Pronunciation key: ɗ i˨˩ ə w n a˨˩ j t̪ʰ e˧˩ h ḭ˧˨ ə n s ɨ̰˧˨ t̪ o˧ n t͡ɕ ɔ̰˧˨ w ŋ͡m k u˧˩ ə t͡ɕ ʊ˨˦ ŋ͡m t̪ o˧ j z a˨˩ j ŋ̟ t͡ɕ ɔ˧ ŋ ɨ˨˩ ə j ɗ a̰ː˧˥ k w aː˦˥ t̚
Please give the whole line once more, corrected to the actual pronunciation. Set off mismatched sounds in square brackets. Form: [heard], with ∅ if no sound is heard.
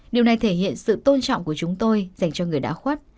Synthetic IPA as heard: ɗ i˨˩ ə w n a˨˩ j t̪ʰ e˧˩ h ḭ˧˨ ə n s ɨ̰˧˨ t̪ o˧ n t͡ɕ ɔ̰˧˨ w ŋ͡m k u˧˩ ə t͡ɕ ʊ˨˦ ŋ͡m t̪ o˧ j z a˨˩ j ŋ̟ t͡ɕ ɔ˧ ŋ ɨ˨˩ ə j ɗ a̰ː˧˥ [x] w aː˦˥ t̚